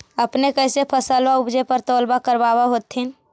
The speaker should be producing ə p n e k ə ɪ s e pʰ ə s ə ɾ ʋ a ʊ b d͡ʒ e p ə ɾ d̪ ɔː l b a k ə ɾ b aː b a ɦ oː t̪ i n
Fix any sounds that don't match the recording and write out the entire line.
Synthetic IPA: ə p n e k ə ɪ s e pʰ ə s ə l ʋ a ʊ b d͡ʒ e p ə ɾ t̪ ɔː l b a k ə ɾ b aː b a ɦ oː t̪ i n

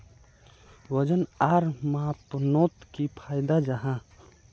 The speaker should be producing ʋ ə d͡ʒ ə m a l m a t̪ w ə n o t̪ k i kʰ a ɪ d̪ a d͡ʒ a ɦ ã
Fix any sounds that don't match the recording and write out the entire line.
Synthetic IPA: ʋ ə d͡ʒ ə n a ɾ m a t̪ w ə n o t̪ k i pʰ a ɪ d̪ a d͡ʒ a ɦ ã

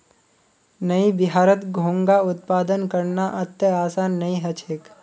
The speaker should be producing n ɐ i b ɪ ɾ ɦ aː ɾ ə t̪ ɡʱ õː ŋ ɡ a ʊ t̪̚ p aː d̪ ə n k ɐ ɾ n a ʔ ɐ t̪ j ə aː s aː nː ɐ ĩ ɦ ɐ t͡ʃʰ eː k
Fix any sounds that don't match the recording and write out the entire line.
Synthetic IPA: n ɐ i b ɪ ɦ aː ɾ ə t̪ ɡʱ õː ŋ ɡ a ʊ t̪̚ p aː d̪ ə n k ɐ ɾ n a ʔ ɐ t̪ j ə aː s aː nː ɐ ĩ ɦ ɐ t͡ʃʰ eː k

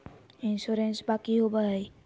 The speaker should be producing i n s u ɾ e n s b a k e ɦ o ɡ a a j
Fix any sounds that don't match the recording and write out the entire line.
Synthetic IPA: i n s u ɾ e n s b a k i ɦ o b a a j

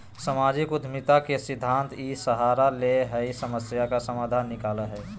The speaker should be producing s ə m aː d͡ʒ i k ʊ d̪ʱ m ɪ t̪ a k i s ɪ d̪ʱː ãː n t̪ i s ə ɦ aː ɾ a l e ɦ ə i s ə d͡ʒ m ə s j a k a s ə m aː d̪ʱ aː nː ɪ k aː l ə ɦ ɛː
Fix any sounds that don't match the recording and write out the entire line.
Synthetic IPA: s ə m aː d͡ʒ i k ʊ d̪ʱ m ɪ t̪ a k e s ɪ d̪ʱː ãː n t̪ i s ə ɦ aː ɾ a l e ɦ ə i s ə m ə s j a k a s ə m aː d̪ʱ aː nː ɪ k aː l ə ɦ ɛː

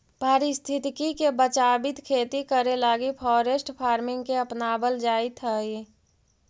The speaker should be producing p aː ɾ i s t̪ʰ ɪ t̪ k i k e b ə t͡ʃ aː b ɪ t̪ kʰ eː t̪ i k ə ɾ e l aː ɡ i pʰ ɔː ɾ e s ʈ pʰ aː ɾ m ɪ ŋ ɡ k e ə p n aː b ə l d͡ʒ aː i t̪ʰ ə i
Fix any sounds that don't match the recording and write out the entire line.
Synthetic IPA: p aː ɾ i s t̪ʰ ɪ t̪ k i k e b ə t͡ʃ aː b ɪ t̪ kʰ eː t̪ i k ə ɾ e l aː ɡ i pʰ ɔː ɾ e s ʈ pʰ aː ɾ m ɪ ŋ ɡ k e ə p n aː b ə l d͡ʒ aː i t̪ʰ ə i

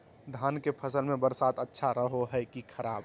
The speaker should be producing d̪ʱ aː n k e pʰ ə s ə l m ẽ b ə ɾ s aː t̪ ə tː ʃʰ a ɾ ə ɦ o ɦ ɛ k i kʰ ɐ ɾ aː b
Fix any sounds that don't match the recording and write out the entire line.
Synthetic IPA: d̪ʱ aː n k e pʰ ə s ə l m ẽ b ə ɾ s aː t̪ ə tː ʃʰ a ɾ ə ɦ o ɦ ɛ k i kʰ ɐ ɾ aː b

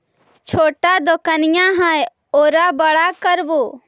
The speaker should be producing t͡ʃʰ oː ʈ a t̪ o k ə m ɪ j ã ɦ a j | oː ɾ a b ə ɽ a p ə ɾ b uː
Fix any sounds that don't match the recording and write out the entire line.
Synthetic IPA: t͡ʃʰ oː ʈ a d̪ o k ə n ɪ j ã ɦ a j | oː ɾ a b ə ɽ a k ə ɾ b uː

